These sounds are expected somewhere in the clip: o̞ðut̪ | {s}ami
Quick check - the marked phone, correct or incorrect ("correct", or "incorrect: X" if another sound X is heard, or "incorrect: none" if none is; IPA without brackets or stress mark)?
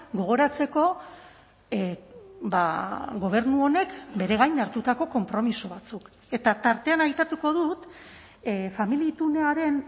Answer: incorrect: f